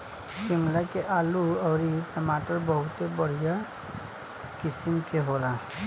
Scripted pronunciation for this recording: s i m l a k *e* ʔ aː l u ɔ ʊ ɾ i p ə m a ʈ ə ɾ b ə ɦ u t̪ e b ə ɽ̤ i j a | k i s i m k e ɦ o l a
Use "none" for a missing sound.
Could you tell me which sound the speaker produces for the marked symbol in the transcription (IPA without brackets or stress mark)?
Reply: e